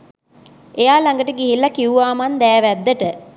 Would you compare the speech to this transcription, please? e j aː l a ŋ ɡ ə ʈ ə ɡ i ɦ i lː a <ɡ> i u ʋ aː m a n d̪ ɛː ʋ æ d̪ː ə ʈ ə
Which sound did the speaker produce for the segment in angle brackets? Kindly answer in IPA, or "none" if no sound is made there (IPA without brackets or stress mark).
k